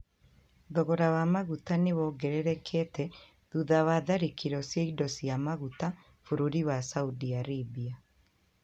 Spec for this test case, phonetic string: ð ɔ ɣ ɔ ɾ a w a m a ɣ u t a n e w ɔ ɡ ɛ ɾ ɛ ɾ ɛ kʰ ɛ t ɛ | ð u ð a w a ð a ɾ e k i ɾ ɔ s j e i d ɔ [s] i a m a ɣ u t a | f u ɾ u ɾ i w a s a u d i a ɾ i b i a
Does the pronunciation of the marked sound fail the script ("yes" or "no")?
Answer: no